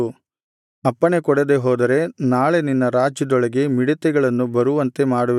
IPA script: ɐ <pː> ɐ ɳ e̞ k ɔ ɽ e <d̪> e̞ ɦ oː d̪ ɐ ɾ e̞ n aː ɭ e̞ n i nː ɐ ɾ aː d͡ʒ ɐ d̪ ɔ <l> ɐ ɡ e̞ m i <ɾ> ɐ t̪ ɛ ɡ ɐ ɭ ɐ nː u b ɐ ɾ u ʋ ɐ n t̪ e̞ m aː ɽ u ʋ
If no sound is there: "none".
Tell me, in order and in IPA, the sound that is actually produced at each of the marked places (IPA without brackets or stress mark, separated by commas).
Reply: pː, d̪, ɭ, ɽ